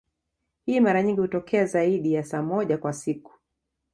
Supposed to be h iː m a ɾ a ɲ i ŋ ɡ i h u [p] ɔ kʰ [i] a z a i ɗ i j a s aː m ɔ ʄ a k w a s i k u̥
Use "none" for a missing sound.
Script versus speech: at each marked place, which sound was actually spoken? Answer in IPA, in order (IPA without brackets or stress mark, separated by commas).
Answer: t, ɛ